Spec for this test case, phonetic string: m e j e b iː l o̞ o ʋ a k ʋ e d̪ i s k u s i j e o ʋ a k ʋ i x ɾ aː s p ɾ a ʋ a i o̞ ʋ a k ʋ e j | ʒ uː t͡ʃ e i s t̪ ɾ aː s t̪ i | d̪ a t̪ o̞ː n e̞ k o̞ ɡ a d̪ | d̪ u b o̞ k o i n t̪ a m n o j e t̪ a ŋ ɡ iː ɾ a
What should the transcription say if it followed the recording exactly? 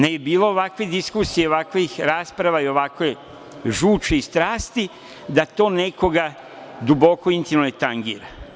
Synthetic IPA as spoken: n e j e b iː l o̞ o ʋ a k ʋ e d̪ i s k u s i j e o ʋ a k ʋ i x ɾ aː s p ɾ a ʋ a i o̞ ʋ a k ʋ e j | ʒ uː t͡ʃ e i s t̪ ɾ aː s t̪ i | d̪ a t̪ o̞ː n e̞ k o̞ ɡ a | d̪ u b o̞ k o i n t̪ i m n o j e t̪ a ŋ ɡ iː ɾ a